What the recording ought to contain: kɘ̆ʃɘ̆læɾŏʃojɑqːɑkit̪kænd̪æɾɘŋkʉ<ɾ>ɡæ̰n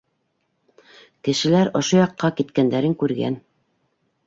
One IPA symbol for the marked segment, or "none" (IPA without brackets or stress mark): ɾ